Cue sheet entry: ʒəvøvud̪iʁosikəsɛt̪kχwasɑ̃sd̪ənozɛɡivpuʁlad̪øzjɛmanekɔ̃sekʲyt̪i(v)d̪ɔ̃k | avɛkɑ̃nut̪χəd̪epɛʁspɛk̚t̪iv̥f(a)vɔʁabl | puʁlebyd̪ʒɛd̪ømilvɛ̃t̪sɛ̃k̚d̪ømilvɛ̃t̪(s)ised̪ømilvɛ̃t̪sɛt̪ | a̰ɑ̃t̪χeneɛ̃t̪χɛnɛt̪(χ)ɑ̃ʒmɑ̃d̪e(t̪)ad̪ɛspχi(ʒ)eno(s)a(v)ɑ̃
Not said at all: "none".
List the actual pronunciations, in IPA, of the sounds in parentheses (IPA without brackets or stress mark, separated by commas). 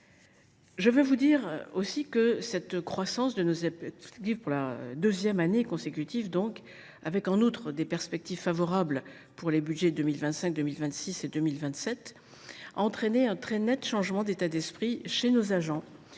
v, a, s, ʃ, t̪, ʃ, z, ʒ